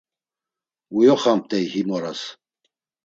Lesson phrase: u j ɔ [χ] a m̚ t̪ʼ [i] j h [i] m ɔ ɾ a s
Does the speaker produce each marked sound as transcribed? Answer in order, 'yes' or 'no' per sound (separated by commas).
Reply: yes, no, yes